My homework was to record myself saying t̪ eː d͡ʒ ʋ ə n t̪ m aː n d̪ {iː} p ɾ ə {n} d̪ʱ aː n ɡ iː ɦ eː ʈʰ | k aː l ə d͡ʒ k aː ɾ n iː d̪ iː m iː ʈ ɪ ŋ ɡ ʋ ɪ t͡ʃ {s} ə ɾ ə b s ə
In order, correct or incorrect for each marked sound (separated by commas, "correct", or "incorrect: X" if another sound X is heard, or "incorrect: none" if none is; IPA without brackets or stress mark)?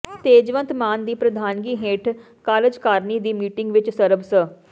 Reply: correct, incorrect: none, correct